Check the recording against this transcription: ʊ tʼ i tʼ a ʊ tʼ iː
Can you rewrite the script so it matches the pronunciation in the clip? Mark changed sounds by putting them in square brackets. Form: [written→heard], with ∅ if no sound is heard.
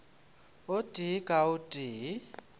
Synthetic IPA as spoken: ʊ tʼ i [tʼ→kʼ] a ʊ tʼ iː